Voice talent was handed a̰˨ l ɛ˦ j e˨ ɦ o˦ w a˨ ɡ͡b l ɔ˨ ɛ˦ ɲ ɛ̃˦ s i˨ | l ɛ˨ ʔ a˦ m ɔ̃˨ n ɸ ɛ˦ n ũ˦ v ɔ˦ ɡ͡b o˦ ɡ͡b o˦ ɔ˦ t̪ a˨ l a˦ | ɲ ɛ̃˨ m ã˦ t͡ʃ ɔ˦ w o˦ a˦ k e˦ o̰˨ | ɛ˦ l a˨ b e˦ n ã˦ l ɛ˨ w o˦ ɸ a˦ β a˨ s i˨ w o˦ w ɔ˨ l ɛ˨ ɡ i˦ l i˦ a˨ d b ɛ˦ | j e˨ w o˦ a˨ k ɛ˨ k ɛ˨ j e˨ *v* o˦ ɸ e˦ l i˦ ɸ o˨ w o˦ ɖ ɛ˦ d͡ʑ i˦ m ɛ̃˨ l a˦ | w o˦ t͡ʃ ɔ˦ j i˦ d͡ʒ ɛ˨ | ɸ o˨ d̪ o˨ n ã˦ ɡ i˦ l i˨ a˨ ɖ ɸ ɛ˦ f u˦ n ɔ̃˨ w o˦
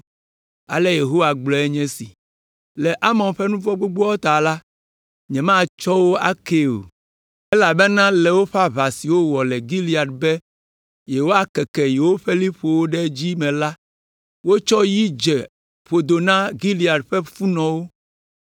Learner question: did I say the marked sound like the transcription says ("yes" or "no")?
no